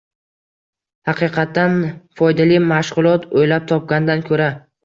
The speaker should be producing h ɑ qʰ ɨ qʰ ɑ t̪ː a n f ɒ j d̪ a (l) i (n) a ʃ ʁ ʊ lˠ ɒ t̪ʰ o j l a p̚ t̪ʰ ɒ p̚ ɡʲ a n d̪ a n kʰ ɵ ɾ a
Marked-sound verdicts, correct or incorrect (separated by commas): correct, incorrect